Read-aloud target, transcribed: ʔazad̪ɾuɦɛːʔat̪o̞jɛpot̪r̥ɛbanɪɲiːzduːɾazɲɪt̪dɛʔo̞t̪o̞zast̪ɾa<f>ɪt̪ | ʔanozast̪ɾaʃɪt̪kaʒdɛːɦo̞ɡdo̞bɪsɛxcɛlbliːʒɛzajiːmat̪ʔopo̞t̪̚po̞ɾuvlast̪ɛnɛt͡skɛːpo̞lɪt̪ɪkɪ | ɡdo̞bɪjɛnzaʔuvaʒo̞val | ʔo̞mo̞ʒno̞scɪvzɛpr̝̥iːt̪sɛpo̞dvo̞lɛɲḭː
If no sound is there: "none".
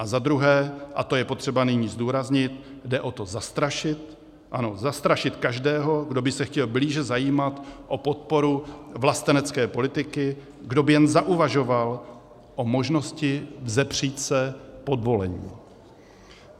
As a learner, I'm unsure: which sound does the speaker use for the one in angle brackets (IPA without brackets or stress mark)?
ʃ